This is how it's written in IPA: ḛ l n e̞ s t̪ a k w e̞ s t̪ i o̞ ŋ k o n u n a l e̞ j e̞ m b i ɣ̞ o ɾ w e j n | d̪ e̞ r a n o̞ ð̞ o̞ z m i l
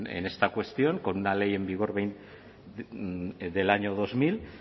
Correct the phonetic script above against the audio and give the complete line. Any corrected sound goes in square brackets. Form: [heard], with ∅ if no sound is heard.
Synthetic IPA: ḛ [∅] n e̞ s t̪ a k w e̞ s t̪ i o̞ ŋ k o n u n a l e̞ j e̞ m b i ɣ̞ o ɾ [β] e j n | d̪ e̞ [l] a [ɲ] o̞ ð̞ o̞ z m i l